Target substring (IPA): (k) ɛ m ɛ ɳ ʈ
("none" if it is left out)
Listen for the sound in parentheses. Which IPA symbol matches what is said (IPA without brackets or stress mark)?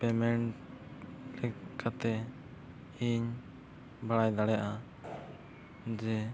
p